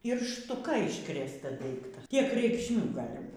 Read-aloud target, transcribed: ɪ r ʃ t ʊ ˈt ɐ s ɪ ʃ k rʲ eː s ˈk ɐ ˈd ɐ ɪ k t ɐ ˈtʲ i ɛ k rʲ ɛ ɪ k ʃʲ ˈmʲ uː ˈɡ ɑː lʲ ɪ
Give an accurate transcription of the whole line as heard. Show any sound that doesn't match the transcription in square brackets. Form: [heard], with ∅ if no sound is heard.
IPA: ɪ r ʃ t ʊ [ˈk] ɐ [∅] ɪ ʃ k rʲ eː s [ˈt] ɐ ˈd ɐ ɪ k t ɐ ˈtʲ i ɛ k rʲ ɛ ɪ k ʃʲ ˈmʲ uː ˈɡ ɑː lʲ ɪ